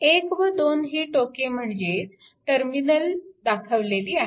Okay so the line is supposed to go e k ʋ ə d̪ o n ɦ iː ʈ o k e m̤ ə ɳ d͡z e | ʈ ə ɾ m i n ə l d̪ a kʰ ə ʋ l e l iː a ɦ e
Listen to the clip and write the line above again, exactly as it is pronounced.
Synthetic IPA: e k ʋ ə d̪ o n ɦ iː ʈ o k e m̤ ə ɳ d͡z e | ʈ ə ɾ m i n ə l d̪ a kʰ ə ʋ l e l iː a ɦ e